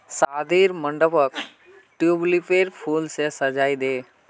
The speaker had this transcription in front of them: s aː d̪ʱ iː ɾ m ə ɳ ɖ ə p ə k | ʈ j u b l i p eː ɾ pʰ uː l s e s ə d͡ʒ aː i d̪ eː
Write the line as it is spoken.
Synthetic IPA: s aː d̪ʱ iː ɾ m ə ɳ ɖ ə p ə k | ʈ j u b l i p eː ɾ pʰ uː l s e s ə d͡ʒ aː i d̪ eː